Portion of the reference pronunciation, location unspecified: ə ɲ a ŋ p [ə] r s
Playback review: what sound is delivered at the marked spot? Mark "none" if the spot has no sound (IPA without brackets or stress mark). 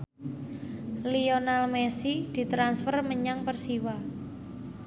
ə